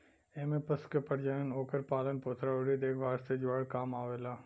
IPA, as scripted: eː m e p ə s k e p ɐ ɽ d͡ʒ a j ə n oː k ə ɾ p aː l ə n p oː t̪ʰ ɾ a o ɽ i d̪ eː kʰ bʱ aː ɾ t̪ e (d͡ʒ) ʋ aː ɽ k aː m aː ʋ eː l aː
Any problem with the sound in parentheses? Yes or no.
no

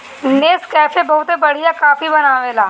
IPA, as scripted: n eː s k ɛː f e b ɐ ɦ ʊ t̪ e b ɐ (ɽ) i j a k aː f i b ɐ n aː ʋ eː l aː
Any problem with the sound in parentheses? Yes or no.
no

